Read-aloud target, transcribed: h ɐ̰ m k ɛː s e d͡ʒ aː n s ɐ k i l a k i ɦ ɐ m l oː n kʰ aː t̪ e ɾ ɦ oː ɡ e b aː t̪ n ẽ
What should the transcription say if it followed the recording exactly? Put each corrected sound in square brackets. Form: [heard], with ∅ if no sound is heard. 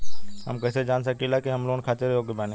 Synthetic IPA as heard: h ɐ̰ m k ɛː s e d͡ʒ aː n s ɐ k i l a k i ɦ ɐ m l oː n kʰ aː t̪ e ɾ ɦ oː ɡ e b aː [∅] n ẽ